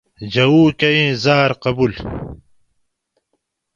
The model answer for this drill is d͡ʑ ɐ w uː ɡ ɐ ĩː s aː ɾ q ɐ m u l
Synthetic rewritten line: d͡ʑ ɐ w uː k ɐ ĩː z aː ɾ q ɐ b u l